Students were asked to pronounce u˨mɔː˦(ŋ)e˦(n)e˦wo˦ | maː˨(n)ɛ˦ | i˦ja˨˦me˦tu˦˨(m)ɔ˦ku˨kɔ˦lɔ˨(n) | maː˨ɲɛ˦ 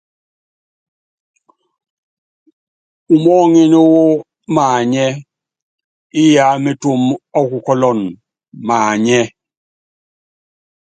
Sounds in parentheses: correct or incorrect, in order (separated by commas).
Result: correct, correct, incorrect, correct, correct